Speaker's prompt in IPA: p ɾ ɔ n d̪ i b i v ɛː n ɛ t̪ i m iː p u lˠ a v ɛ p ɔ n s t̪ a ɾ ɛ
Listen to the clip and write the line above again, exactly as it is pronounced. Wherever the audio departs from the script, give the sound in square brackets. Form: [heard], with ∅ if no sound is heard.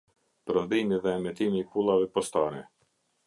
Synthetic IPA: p ɾ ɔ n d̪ i [m] i [ð] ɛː [m] ɛ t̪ i m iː p u lˠ a v ɛ p ɔ [∅] s t̪ a ɾ ɛ